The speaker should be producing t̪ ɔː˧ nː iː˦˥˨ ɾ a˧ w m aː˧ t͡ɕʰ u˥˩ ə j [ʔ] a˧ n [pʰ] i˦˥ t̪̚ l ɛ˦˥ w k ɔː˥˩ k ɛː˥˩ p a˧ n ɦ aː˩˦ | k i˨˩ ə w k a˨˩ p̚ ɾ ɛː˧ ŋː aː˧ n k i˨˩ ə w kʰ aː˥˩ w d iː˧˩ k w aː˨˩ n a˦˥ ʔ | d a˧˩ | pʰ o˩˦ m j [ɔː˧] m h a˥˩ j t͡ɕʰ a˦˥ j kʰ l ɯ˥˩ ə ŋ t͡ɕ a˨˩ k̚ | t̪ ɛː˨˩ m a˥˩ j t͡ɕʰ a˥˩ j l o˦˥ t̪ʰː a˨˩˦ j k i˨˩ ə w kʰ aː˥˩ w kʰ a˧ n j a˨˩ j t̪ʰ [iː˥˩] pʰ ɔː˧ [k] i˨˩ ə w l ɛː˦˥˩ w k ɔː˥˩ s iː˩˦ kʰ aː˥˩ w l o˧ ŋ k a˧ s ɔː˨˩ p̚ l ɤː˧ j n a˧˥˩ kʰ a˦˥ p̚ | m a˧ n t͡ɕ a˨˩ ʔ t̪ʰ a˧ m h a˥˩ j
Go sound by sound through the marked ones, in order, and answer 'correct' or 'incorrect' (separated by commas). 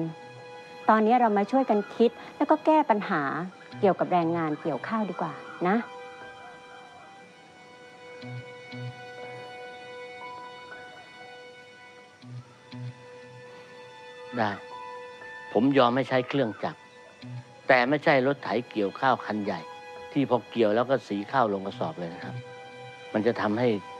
incorrect, incorrect, correct, correct, correct